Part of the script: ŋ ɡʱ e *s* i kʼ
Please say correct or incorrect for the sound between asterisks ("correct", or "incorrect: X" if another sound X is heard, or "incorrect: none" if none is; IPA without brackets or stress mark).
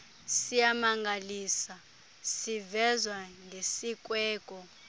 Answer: correct